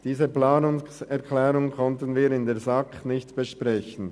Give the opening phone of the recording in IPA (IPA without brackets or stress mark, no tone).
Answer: d̥